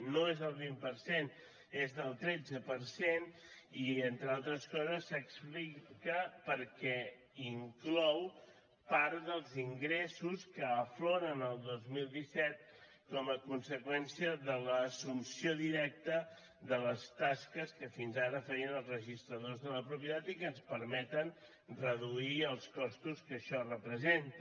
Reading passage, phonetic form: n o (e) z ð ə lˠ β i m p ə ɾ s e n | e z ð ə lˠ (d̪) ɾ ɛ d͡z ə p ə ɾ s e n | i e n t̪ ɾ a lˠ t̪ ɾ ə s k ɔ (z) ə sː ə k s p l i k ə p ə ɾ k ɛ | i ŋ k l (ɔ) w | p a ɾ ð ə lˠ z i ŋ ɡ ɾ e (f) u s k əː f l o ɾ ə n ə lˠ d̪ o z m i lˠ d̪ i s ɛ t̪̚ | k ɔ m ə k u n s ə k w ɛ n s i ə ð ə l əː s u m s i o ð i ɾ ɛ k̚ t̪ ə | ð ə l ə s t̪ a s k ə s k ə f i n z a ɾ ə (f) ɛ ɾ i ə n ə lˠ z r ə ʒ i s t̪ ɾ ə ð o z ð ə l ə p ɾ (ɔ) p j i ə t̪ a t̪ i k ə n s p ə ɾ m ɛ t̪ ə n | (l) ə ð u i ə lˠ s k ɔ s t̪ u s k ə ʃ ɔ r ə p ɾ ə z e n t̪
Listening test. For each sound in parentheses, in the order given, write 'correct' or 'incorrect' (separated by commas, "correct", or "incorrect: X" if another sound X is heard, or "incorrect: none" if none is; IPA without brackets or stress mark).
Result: correct, incorrect: t̪, correct, correct, incorrect: s, correct, incorrect: u, incorrect: r